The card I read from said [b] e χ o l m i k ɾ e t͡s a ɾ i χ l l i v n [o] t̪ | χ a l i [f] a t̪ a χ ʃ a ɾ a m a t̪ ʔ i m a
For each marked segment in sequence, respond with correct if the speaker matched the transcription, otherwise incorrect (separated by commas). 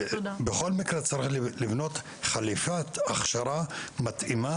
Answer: correct, correct, correct